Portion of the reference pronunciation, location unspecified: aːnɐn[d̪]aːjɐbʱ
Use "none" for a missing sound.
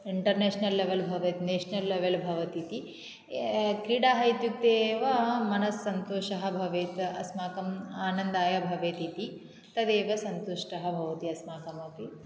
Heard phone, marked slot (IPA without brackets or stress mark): d̪